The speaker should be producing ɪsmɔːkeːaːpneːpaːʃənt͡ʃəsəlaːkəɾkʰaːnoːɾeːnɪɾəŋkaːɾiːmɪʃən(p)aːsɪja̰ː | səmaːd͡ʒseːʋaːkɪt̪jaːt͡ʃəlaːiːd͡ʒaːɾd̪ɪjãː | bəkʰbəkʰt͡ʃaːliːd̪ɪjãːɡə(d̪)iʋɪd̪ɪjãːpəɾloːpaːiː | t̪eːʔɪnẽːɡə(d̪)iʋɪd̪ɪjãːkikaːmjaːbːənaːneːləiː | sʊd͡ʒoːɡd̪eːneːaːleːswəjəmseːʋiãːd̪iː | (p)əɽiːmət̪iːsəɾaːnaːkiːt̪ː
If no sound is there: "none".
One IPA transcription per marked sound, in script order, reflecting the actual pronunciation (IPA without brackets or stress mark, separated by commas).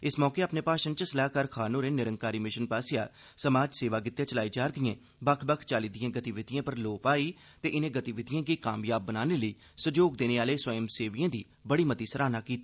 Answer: p, t̪, t̪, b